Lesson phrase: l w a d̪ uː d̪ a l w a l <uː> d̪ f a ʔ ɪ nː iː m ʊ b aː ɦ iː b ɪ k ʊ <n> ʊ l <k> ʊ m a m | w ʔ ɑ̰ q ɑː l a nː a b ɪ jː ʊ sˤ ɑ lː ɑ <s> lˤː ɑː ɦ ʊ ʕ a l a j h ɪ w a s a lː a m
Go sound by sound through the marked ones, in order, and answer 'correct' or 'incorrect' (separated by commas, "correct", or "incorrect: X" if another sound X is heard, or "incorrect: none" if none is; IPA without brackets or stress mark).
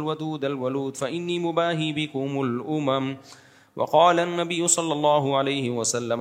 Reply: correct, incorrect: m, incorrect: ʔ, incorrect: none